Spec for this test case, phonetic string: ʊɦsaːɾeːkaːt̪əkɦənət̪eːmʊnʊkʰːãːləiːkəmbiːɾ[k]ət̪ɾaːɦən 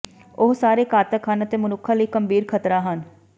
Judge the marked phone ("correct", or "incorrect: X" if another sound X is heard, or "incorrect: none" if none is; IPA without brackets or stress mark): incorrect: kʰ